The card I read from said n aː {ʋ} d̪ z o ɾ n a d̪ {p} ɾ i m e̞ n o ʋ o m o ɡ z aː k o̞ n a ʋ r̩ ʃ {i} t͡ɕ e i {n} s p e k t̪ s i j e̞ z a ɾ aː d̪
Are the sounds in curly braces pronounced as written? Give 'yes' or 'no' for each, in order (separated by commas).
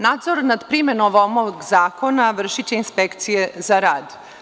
no, yes, yes, yes